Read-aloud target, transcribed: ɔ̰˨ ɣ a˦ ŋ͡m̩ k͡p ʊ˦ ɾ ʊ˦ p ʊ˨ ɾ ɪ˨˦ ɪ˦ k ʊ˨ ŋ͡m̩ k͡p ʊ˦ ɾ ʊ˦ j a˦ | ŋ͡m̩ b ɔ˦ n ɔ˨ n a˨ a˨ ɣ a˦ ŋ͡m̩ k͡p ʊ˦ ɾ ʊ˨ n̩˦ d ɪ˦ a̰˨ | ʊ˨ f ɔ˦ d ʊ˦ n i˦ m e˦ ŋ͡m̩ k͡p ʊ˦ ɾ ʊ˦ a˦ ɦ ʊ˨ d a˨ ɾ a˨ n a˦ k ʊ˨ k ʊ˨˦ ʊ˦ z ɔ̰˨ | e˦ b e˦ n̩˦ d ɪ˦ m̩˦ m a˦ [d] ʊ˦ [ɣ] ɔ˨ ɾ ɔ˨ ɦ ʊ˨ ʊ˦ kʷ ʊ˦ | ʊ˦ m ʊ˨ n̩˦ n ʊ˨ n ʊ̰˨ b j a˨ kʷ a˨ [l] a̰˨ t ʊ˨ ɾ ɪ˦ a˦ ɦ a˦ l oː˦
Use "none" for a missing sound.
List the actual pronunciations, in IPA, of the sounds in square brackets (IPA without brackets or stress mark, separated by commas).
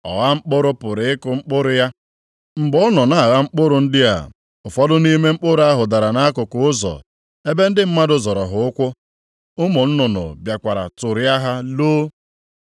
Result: d, z, ɾ